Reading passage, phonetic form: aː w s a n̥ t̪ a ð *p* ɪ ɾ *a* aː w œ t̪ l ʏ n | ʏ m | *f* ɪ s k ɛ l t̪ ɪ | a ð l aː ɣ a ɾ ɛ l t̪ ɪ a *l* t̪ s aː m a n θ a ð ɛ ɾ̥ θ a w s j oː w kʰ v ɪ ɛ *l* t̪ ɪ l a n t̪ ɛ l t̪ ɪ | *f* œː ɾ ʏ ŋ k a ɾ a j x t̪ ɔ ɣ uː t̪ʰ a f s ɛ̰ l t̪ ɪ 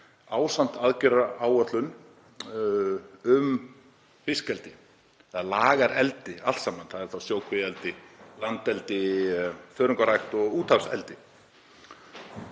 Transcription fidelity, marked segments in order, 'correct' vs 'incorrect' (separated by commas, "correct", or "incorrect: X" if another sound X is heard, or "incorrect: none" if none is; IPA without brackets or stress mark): incorrect: c, correct, correct, correct, correct, correct